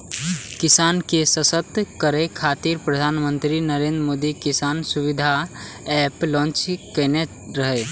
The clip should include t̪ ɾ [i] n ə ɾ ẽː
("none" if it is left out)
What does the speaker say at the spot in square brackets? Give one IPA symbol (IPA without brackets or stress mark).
i